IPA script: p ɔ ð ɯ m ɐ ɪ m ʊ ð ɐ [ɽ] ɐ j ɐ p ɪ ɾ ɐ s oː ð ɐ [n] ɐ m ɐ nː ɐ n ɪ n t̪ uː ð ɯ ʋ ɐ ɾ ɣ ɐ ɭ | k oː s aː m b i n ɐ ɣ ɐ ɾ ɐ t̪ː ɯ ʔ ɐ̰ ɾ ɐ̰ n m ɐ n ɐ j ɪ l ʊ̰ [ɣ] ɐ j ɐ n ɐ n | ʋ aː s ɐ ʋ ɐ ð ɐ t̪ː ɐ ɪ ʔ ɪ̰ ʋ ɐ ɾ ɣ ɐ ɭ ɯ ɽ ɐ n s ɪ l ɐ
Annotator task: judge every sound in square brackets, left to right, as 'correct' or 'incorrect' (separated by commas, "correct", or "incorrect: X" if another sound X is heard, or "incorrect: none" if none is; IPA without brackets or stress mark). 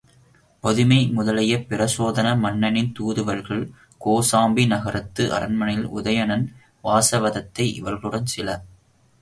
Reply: incorrect: l, correct, incorrect: ð